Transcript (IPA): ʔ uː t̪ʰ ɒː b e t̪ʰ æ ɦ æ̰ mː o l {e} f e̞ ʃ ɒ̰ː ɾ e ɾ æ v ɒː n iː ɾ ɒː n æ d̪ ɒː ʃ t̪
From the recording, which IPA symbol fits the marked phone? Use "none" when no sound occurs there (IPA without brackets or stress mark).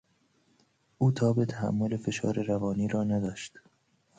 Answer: e